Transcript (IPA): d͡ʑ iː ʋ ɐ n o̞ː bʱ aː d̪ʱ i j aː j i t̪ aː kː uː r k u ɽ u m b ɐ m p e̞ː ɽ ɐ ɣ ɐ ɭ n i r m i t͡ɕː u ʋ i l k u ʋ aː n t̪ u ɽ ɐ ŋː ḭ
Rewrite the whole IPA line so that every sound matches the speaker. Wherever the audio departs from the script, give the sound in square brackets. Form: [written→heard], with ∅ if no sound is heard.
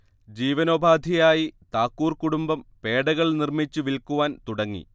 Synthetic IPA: d͡ʑ iː ʋ ɐ n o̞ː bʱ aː d̪ʱ i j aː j i t̪ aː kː uː r k u ɽ u m b ɐ m p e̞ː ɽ ɐ ɣ ɐ ɭ n i r m i t͡ɕː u ʋ i l k u ʋ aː n t̪ u ɽ ɐ ŋː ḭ